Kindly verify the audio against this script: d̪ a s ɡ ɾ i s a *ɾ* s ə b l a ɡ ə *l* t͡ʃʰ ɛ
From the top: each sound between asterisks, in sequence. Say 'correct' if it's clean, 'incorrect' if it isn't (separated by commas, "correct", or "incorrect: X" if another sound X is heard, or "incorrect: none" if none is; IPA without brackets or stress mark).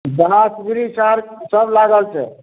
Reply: correct, correct